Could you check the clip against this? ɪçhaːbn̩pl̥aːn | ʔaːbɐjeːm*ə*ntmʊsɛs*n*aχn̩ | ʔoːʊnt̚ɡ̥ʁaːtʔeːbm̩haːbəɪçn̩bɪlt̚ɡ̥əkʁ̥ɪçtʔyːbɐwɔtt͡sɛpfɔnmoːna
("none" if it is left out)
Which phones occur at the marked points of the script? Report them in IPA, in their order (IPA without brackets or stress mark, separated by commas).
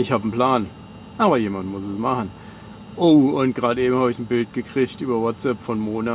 a, m